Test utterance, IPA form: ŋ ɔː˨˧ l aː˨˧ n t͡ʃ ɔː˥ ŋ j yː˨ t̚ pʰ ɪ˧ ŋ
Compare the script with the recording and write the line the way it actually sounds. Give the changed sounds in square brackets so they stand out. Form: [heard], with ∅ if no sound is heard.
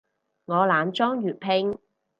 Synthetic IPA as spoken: ŋ ɔː˨˧ l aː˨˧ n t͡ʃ ɔː˥ ŋ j yː˨ t̚ pʰ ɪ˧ ŋ